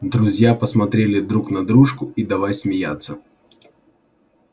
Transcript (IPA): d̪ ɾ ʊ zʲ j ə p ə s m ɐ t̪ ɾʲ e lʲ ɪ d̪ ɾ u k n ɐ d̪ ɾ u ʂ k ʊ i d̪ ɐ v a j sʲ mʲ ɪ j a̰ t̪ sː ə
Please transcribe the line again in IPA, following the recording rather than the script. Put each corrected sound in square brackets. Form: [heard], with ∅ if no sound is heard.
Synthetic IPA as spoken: d̪ ɾ ʊ zʲ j [a] p ə s m ɐ t̪ ɾʲ e lʲ ɪ d̪ ɾ u k n ɐ d̪ ɾ u ʂ k ʊ i d̪ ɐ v a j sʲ mʲ ɪ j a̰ t̪ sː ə